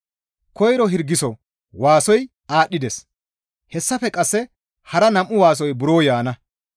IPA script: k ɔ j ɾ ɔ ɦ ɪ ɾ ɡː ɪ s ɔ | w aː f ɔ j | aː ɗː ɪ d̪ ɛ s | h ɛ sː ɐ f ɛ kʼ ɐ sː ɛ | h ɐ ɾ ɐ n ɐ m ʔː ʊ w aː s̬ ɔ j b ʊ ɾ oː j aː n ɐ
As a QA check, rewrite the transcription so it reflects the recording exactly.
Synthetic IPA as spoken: k ɔ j ɾ ɔ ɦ ɪ ɾ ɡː ɪ s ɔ | w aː s ɔ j | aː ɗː ɪ d̪ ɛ s | h ɛ sː ɐ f ɛ kʼ ɐ sː ɛ | h ɐ ɾ ɐ n ɐ m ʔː ʊ w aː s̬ ɔ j b ʊ ɾ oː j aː n ɐ

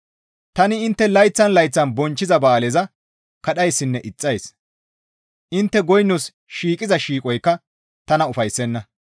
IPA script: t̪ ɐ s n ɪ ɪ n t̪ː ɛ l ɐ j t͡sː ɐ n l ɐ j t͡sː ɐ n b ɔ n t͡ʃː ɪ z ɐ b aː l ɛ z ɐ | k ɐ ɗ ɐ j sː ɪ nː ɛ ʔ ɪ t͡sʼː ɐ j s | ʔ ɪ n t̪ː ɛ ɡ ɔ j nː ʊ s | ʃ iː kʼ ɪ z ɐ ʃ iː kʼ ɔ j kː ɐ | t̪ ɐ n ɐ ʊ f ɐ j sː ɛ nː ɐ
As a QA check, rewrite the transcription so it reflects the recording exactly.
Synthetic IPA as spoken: t̪ ɐ n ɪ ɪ n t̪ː ɛ l ɐ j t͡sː ɐ n l ɐ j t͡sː ɐ n b ɔ n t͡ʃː ɪ z ɐ b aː l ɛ z ɐ | k ɐ ɗ ɐ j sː ɪ nː ɛ ʔ ɪ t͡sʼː ɐ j s | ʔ ɪ n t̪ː ɛ ɡ ɔ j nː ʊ s | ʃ iː kʼ ɪ z ɐ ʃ iː kʼ ɔ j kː ɐ | t̪ ɐ n ɐ ʊ f ɐ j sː ɛ nː ɐ

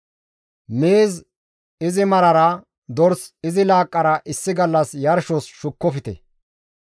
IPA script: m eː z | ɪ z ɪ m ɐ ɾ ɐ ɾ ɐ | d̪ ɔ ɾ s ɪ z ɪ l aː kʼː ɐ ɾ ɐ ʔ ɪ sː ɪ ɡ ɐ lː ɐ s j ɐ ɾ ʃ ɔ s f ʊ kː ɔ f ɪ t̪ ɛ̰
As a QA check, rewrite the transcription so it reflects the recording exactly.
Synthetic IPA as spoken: m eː z | ɪ z ɪ m ɐ ɾ ɐ ɾ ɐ | d̪ ɔ ɾ s ɪ z ɪ l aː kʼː ɐ ɾ ɐ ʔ ɪ sː ɪ ɡ ɐ lː ɐ s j ɐ ɾ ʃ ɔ s ʃ ʊ kː ɔ f ɪ t̪ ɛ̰

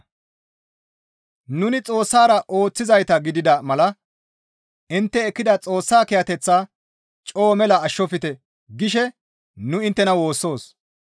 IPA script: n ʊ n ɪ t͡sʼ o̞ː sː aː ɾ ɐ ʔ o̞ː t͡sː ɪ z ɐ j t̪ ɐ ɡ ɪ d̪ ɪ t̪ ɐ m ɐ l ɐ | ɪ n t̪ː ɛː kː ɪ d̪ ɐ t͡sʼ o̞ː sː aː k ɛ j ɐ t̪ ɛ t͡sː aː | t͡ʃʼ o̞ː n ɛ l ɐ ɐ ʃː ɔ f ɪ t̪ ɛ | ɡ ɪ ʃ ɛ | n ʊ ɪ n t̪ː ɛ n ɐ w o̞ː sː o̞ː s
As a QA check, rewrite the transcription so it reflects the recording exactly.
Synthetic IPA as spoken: n ʊ n ɪ t͡sʼ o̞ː sː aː ɾ ɐ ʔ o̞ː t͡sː ɪ z ɐ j t̪ ɐ ɡ ɪ d̪ ɪ d̪ ɐ m ɐ l ɐ | ɪ n t̪ː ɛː kː ɪ d̪ ɐ t͡sʼ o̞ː sː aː k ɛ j ɐ t̪ ɛ t͡sː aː | t͡ʃʼ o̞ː m ɛ l ɐ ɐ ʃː ɔ f ɪ t̪ ɛ | ɡ ɪ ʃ ɛ | n ʊ ɪ n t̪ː ɛ n ɐ w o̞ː sː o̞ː s

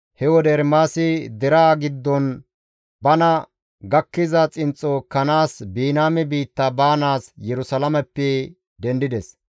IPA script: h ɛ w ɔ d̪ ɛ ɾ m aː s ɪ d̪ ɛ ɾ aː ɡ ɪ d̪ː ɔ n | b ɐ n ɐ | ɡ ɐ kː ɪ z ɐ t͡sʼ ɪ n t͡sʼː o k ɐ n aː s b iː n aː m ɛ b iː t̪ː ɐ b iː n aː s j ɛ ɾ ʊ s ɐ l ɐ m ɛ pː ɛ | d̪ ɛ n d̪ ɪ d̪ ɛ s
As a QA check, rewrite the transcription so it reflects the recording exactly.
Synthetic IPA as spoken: h ɛ w ɔ d̪ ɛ ɾ m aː s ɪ d̪ ɛ ɾ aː ɡ ɪ d̪ː ɔ n | b ɐ n ɐ | ɡ ɐ kː ɪ z ɐ t͡sʼ ɪ n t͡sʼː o k ɐ n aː s b iː n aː m ɛ b iː t̪ː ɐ b aː n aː s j ɛ ɾ ʊ s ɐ l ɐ m ɛ pː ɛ | d̪ ɛ n d̪ ɪ d̪ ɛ s

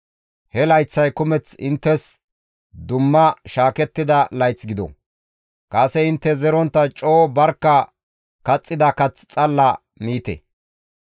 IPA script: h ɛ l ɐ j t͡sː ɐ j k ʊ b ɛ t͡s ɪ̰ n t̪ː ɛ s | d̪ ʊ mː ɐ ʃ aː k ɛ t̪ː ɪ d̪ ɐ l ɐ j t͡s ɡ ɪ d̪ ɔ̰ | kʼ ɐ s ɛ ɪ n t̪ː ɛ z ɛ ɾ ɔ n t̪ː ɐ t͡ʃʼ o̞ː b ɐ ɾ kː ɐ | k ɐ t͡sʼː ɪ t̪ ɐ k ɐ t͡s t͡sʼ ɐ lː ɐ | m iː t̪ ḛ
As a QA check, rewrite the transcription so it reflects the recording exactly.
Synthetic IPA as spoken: h ɛ l ɐ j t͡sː ɐ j k ʊ m ɛ t͡s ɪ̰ n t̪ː ɛ s | d̪ ʊ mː ɐ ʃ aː k ɛ t̪ː ɪ d̪ ɐ l ɐ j t͡s ɡ ɪ d̪ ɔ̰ | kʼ ɐ s ɛ ɪ n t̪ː ɛ z ɛ ɾ ɔ n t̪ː ɐ t͡ʃʼ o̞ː b ɐ ɾ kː ɐ | k ɐ t͡sʼː ɪ d̪ ɐ k ɐ t͡s t͡sʼ ɐ lː ɐ | m iː t̪ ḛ

